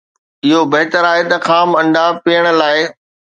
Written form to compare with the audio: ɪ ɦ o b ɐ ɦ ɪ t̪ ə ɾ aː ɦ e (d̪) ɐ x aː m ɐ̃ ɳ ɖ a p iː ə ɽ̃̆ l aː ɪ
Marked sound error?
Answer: yes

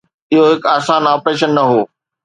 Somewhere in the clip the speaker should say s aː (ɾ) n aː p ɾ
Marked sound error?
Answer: yes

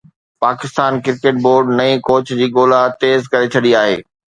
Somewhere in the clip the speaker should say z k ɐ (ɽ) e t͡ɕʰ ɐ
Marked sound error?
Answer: yes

